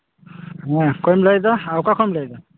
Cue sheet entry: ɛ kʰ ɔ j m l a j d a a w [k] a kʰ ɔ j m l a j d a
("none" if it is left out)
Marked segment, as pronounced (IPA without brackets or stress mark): k